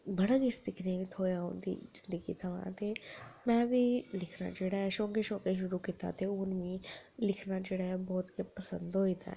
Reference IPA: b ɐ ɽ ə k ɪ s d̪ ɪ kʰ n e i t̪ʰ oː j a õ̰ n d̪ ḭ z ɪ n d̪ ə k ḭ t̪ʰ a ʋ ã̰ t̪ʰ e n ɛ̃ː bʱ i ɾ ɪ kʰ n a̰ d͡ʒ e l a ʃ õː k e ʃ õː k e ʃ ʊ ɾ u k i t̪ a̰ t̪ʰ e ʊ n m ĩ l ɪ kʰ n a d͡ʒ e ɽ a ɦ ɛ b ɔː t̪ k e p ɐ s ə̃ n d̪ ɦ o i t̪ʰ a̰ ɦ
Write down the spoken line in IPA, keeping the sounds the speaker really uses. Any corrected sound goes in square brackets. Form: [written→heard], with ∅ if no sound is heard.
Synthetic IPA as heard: b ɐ ɽ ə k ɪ s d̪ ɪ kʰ n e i t̪ʰ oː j a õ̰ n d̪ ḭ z ɪ n d̪ ə [k→ɡ] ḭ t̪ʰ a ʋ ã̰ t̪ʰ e [n→m] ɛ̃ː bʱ i [ɾ→l] ɪ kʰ n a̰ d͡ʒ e [l→ɽ] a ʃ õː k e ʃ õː k e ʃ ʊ ɾ u k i t̪ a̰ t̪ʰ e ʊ n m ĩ l ɪ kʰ n a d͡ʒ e ɽ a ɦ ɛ b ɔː t̪ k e p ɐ s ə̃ n d̪ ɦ o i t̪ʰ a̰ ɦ